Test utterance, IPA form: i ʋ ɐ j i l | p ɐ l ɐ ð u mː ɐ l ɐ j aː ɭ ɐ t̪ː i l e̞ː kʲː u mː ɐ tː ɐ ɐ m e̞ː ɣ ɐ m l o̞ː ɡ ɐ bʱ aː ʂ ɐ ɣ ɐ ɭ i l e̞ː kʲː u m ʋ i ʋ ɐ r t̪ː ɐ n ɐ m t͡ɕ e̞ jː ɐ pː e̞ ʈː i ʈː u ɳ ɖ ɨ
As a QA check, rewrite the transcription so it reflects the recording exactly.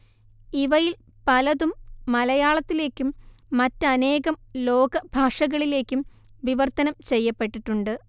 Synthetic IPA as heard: i ʋ ɐ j i l | p ɐ l ɐ ð u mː ɐ l ɐ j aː ɭ ɐ t̪ː i l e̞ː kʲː u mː ɐ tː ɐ ɐ n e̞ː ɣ ɐ m l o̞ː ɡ ɐ bʱ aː ʂ ɐ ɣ ɐ ɭ i l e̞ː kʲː u m ʋ i ʋ ɐ r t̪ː ɐ n ɐ m t͡ɕ e̞ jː ɐ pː e̞ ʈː i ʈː u ɳ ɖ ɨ